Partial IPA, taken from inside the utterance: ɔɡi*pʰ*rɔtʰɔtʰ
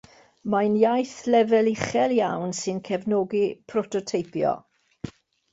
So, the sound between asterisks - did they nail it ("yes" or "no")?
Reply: yes